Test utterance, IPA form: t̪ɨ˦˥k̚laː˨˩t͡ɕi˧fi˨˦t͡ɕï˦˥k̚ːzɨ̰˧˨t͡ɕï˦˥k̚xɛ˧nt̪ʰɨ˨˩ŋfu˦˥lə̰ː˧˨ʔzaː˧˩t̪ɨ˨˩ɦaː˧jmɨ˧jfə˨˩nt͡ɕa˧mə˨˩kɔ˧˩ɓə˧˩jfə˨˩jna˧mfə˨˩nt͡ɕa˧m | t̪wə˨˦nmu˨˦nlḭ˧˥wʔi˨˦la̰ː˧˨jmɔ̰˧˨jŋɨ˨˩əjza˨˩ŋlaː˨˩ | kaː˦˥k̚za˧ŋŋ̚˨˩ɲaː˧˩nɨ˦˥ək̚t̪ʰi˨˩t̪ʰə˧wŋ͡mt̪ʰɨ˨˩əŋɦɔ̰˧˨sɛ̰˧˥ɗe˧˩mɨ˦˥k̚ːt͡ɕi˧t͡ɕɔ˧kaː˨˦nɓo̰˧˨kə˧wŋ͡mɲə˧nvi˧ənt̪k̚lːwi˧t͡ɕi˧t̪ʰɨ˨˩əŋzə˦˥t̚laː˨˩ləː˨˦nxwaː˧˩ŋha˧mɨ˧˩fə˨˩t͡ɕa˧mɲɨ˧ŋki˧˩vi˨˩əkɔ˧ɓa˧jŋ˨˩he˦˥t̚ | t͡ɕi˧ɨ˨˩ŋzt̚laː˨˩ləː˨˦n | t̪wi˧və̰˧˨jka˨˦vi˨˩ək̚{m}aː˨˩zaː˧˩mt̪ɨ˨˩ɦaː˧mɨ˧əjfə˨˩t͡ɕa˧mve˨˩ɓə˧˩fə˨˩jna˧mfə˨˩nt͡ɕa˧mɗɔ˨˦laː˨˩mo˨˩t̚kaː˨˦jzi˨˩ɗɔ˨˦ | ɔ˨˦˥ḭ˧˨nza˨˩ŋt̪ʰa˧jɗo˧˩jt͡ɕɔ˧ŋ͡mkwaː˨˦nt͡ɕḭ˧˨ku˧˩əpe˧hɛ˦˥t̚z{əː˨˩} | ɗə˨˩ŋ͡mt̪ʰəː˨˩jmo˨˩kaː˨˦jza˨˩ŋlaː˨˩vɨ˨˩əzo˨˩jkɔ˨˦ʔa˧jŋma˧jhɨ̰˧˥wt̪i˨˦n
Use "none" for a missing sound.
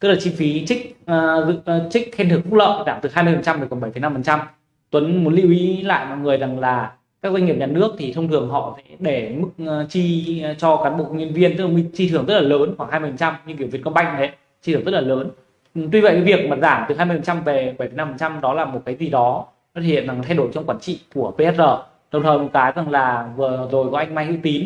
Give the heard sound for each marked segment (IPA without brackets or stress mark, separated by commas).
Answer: m, əː˨˩